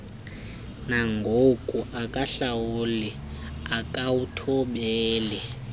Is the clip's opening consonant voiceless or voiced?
voiced